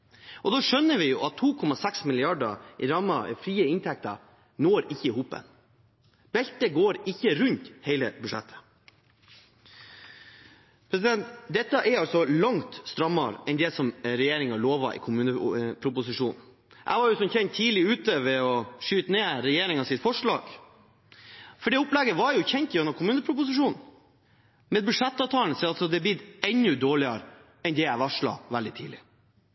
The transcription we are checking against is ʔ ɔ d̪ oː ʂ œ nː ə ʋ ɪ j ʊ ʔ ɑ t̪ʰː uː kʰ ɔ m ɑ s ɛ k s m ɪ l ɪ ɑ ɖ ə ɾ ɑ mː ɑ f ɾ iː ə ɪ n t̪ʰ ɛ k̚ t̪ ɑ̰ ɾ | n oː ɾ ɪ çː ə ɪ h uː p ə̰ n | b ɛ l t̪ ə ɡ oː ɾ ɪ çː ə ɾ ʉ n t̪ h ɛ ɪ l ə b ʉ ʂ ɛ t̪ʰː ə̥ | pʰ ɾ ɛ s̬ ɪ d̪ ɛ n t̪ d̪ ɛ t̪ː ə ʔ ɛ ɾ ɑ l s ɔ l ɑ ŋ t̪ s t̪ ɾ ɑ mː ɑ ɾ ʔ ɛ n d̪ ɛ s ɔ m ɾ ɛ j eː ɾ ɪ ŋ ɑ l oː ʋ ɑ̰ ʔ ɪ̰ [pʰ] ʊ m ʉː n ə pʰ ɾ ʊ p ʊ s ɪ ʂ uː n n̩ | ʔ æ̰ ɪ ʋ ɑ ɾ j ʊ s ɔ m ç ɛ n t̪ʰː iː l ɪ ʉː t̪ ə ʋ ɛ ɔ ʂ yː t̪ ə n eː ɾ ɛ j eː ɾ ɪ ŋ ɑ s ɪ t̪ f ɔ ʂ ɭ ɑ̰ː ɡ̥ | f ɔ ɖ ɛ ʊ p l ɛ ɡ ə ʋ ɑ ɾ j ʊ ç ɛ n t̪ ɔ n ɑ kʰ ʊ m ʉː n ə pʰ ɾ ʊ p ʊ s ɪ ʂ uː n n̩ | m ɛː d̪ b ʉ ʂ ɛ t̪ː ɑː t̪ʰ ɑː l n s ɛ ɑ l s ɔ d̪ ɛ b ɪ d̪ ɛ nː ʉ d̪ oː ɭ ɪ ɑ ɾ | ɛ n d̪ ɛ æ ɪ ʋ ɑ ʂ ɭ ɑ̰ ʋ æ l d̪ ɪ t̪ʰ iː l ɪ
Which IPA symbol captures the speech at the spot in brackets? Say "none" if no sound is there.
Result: kʰ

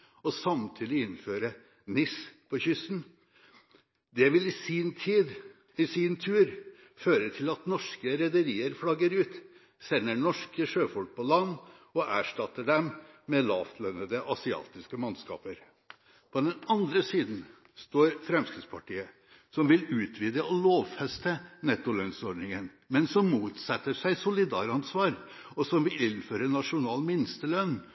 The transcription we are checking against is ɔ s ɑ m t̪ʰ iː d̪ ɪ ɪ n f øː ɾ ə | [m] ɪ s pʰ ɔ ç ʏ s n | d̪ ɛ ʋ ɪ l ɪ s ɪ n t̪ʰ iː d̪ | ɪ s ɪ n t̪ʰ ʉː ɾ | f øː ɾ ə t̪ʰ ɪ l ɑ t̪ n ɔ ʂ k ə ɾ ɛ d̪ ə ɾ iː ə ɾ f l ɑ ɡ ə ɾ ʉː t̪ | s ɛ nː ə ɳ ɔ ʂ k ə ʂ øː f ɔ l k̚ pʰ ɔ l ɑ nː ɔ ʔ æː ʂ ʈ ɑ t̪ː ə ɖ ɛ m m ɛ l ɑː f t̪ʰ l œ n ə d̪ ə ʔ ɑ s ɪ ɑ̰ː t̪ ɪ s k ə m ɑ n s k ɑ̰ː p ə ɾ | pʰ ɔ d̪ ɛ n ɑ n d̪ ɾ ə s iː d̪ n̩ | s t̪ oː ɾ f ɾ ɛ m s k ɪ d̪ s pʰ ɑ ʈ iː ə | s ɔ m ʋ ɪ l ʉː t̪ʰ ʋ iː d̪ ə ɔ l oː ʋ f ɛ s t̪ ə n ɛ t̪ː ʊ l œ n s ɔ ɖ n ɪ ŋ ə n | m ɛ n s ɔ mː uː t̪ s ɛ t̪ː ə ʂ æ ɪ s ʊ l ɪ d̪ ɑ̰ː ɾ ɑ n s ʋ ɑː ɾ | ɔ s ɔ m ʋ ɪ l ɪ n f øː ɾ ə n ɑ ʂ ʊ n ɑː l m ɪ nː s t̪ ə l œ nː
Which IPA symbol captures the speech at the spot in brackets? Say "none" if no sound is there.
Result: n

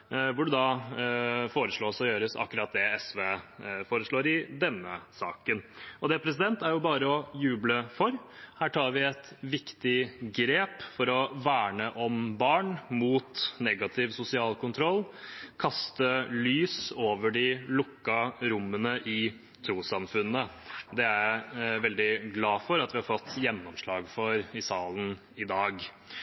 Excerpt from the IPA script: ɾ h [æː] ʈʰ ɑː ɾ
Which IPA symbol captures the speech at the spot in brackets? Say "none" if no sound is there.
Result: æː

